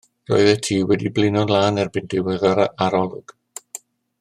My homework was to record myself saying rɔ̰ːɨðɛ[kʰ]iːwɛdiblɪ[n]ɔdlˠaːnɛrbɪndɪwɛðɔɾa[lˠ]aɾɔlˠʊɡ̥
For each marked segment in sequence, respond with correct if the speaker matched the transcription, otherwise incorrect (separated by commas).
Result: incorrect, correct, incorrect